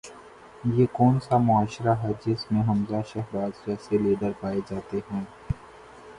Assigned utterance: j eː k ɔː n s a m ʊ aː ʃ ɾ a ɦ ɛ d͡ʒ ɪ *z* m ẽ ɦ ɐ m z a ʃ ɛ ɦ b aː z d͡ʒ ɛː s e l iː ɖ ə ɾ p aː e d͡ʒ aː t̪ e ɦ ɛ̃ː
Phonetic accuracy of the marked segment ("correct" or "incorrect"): incorrect